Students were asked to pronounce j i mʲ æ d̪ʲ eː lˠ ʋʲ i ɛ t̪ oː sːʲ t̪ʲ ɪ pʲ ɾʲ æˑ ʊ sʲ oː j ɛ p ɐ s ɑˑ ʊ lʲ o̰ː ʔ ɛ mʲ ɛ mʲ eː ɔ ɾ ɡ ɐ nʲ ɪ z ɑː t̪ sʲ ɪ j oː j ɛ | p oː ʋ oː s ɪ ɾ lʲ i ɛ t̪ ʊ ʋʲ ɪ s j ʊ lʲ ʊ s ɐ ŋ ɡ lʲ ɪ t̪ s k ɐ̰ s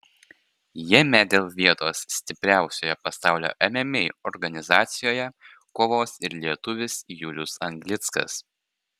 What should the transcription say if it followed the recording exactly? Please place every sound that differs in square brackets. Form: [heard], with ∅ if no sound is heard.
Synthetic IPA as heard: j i mʲ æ d̪ʲ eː lˠ ʋʲ i ɛ t̪ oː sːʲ t̪ʲ ɪ pʲ ɾʲ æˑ ʊ sʲ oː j ɛ p ɐ s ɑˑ ʊ lʲ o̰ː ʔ ɛ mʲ ɛ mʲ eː ɔ ɾ ɡ ɐ nʲ ɪ z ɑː t̪ sʲ ɪ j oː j ɛ | [k] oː ʋ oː s ɪ ɾ lʲ i ɛ t̪ ʊ ʋʲ ɪ s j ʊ lʲ ʊ s ɐ ŋ ɡ lʲ ɪ t̪ s k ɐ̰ s